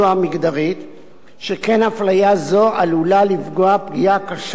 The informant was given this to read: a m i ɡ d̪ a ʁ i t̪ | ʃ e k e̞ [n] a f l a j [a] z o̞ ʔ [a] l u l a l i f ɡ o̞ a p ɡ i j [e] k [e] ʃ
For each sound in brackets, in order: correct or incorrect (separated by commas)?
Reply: correct, correct, correct, incorrect, incorrect